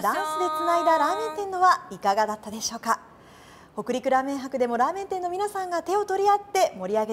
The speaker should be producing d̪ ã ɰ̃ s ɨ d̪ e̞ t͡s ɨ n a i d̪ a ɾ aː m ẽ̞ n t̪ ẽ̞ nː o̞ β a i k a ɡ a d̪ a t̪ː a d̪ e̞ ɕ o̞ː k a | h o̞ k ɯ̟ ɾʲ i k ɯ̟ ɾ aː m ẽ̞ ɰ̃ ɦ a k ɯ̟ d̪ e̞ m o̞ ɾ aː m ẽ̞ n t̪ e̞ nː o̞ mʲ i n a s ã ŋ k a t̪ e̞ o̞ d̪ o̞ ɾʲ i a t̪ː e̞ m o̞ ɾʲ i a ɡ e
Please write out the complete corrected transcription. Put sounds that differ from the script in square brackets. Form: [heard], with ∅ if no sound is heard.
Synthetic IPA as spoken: d̪ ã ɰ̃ s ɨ d̪ e̞ t͡s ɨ n a i d̪ a ɾ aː m ẽ̞ n t̪ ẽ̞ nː o̞ β a i k a ɡ a d̪ a t̪ː a d̪ e̞ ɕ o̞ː k a | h o̞ k ɯ̟ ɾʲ i k ɯ̟ ɾ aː m ẽ̞ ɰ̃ ɦ a k ɯ̟ d̪ e̞ m o̞ ɾ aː m ẽ̞ n t̪ e̞ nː o̞ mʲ i n a s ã ŋ [ɡ] a t̪ e̞ o̞ [t̪] o̞ ɾʲ i a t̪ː e̞ m o̞ ɾʲ i a ɡ e